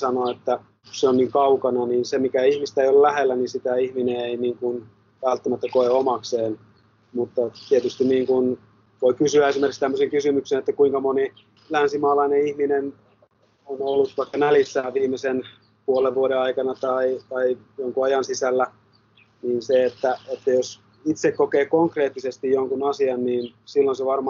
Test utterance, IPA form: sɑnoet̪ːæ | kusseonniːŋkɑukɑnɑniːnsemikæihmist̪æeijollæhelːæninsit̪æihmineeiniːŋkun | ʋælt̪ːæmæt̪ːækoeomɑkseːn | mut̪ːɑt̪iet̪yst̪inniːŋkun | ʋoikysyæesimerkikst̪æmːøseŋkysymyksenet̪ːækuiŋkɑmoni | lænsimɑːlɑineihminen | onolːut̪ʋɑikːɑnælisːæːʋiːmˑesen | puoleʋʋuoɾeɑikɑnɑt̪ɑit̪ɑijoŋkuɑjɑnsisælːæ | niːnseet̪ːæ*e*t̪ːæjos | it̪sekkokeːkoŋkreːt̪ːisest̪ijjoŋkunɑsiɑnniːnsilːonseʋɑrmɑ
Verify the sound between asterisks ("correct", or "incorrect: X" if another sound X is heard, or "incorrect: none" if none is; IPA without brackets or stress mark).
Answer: correct